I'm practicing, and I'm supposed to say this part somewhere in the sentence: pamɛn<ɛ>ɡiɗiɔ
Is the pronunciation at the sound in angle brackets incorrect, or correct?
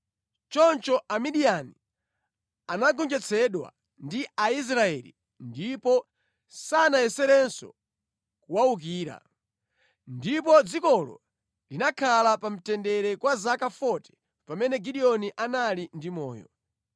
correct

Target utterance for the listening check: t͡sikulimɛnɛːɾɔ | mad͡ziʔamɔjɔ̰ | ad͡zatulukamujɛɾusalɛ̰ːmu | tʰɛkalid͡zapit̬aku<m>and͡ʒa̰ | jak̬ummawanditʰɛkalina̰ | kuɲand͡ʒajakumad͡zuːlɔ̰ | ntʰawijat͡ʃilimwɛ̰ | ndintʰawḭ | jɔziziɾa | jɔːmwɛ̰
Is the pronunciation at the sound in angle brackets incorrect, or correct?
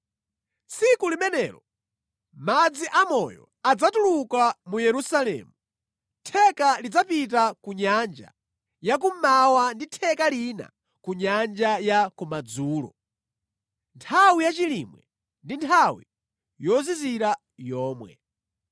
incorrect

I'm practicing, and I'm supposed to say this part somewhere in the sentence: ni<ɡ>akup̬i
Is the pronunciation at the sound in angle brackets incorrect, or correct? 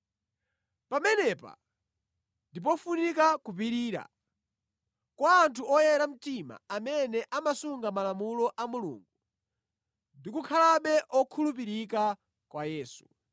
incorrect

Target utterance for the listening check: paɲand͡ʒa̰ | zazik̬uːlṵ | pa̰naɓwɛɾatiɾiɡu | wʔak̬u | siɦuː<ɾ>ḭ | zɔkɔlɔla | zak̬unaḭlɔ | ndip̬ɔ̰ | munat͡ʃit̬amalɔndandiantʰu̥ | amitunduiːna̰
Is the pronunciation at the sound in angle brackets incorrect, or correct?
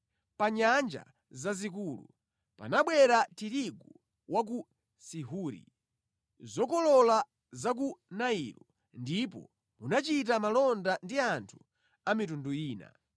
correct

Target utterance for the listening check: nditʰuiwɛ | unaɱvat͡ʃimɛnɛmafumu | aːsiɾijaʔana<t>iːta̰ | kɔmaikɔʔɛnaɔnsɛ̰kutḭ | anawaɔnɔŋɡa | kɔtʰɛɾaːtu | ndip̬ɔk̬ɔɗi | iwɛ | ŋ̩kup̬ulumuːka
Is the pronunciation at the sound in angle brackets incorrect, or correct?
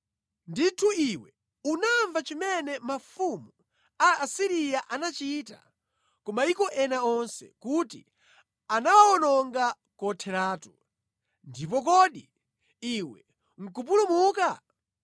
incorrect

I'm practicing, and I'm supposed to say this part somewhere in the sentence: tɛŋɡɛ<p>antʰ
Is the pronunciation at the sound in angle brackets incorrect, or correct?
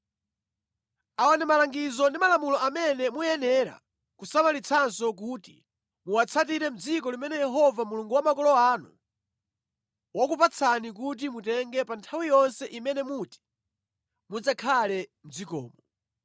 correct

